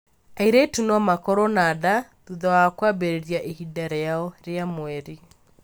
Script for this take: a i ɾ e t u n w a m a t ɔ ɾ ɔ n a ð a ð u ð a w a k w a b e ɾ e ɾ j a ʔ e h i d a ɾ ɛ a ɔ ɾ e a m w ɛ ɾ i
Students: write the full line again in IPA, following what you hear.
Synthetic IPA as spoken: a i ɾ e t u n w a m a k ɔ ɾ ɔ n a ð a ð u ð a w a k w a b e ɾ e ɾ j a ʔ e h i d a ɾ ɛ a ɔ ɾ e a m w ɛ ɾ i